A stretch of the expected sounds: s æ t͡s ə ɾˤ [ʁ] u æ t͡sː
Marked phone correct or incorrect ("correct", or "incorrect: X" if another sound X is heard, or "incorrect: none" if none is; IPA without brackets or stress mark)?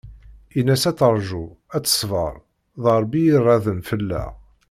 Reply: incorrect: ʒ